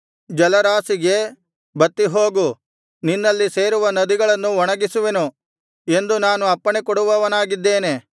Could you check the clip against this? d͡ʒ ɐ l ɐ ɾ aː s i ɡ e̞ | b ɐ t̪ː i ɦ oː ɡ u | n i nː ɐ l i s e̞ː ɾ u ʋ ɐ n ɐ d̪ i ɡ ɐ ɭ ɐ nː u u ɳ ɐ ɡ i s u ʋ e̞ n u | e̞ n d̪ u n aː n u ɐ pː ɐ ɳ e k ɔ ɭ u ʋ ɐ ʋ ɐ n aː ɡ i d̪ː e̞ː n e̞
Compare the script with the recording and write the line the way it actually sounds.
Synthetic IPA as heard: d͡ʒ ɐ l ɐ ɾ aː s i ɡ e̞ | b ɐ t̪ː i ɦ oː ɡ u | n i nː ɐ lː i s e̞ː ɾ u ʋ ɐ n ɐ d̪ i ɡ ɐ ɭ ɐ nː u ɔ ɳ ɐ ɡ i s u ʋ e̞ n u | e̞ n d̪ u n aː n u ɐ pː ɐ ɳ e k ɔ ɽ u ʋ ɐ ʋ ɐ n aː ɡ i d̪ː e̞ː n e̞